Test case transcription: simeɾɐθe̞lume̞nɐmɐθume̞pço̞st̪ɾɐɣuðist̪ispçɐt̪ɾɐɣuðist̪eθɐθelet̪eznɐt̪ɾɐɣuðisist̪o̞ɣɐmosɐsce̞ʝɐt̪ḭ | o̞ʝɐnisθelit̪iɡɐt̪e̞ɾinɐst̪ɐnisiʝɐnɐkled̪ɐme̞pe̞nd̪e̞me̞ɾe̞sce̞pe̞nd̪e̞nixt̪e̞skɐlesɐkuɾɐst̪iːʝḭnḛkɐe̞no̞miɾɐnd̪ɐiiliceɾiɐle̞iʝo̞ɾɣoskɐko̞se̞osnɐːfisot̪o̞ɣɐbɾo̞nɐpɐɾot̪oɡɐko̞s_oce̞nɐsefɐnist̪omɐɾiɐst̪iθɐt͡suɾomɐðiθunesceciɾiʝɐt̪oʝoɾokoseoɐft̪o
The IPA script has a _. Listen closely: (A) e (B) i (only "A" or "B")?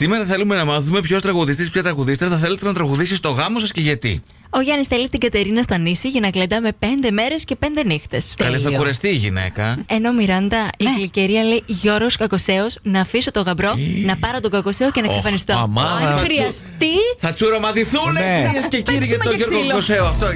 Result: A